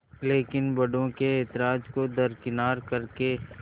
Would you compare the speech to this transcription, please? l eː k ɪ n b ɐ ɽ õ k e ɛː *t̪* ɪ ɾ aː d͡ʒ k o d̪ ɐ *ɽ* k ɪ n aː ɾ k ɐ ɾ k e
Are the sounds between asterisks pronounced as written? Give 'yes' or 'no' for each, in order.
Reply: yes, no

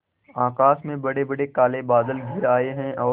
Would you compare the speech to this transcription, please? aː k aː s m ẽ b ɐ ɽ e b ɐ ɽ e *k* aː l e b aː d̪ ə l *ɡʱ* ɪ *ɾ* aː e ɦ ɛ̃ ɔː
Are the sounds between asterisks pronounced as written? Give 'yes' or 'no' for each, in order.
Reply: yes, yes, yes

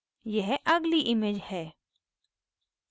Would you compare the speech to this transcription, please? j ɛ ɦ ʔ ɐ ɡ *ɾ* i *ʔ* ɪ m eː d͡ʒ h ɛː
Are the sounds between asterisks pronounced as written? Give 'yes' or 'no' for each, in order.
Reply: no, yes

